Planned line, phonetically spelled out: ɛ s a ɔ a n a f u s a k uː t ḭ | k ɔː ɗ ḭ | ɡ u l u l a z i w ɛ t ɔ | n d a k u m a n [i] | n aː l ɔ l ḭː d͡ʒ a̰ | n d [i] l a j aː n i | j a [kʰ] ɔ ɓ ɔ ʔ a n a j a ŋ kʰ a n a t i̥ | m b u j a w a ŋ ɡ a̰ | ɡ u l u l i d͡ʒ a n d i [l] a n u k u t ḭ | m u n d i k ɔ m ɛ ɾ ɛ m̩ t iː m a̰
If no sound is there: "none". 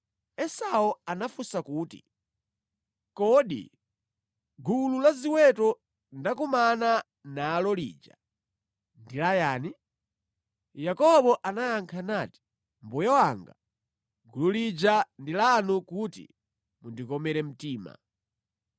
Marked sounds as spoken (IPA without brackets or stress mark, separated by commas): a, i, k, l